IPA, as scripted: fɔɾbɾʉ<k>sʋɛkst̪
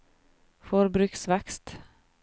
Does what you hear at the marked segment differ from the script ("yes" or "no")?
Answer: no